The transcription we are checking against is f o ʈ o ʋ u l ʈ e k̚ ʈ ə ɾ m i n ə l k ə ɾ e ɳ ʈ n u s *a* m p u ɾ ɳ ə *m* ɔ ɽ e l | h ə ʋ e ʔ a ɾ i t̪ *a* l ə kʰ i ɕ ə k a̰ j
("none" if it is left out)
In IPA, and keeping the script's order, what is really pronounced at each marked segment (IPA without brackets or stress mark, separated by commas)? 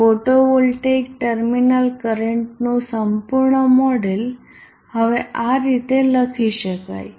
ə, m, e